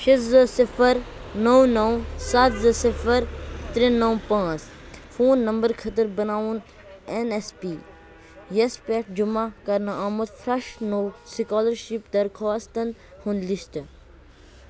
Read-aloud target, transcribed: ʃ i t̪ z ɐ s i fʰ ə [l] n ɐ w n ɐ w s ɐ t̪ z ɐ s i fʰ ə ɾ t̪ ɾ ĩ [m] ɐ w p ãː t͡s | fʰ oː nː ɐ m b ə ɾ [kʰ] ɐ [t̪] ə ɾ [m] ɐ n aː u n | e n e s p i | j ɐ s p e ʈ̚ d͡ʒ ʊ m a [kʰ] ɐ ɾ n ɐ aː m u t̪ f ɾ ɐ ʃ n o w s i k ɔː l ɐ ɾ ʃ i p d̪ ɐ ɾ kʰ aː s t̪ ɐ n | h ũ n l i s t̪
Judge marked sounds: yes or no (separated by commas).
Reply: no, no, yes, yes, no, no